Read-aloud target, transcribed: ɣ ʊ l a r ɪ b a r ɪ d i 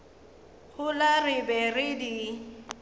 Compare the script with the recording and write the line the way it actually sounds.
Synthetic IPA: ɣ ʊ l a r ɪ b ɛ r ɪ d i